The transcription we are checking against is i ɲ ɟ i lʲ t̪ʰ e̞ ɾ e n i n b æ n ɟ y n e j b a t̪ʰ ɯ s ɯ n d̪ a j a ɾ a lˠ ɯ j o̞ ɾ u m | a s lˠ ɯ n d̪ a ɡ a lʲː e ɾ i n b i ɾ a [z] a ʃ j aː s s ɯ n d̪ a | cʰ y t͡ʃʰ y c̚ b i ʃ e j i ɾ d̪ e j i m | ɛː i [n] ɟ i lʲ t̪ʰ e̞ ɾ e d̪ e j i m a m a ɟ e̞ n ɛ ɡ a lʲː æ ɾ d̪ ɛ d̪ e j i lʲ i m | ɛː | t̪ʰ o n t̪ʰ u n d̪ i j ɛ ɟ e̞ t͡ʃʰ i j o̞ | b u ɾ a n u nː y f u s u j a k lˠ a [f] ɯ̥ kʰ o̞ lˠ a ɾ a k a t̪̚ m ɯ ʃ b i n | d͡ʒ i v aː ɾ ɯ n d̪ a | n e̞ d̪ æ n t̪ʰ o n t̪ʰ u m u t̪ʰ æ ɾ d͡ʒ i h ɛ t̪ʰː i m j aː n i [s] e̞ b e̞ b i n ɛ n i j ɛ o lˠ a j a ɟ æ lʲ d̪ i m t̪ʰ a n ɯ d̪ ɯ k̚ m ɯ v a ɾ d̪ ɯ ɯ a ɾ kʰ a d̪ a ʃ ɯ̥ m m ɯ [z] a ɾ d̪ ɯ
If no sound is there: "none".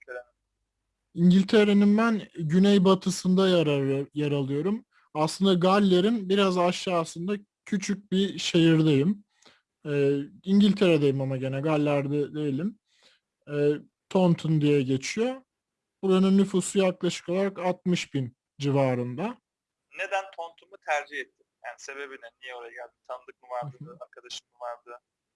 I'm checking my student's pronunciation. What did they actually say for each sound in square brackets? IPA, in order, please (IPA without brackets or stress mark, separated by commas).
z, ɲ, ʃ, s, v